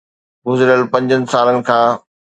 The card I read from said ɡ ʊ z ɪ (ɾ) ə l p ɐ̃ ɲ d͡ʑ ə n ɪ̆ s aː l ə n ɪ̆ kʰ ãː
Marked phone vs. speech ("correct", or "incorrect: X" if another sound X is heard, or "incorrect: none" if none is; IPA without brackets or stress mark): correct